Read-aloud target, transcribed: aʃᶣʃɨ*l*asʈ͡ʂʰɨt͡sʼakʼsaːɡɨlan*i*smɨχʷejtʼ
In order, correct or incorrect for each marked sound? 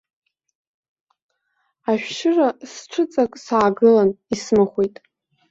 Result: incorrect: r, correct

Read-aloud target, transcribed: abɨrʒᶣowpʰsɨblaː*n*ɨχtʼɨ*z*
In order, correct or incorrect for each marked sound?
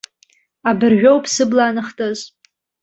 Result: correct, correct

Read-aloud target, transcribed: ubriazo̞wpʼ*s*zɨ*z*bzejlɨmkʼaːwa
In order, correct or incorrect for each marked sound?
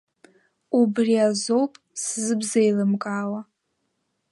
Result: correct, incorrect: none

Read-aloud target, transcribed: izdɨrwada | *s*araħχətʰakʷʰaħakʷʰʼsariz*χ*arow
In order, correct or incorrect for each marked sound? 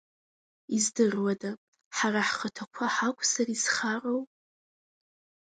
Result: incorrect: ħ, correct

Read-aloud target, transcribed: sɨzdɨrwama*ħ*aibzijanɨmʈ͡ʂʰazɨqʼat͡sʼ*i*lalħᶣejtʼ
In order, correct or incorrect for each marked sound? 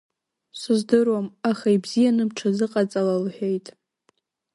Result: incorrect: χ, incorrect: a

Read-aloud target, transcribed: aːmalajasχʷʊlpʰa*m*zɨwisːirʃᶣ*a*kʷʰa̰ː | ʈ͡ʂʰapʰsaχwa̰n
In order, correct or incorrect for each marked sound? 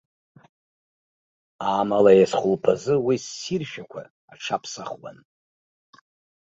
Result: incorrect: none, correct

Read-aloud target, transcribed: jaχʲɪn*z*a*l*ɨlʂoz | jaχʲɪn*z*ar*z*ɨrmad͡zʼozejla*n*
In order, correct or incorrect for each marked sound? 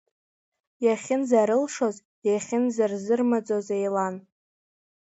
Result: correct, incorrect: ɾ, correct, correct, correct

